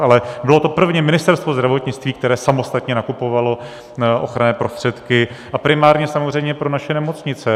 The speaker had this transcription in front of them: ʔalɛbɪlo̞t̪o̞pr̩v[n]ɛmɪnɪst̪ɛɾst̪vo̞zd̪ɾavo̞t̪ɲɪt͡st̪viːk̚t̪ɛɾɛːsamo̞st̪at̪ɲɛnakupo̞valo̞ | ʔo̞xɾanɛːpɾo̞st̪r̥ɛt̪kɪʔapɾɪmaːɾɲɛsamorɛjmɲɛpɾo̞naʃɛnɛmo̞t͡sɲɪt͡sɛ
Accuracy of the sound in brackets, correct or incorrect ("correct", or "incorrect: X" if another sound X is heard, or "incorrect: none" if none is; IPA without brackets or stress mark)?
incorrect: ɲ